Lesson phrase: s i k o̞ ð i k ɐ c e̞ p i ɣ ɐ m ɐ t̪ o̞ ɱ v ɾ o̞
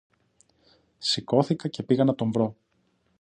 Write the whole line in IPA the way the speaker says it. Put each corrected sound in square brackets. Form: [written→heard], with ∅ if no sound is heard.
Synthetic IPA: s i k o̞ [ð→θ] i k ɐ c e̞ p i ɣ ɐ [m→n] ɐ t̪ o̞ ɱ v ɾ o̞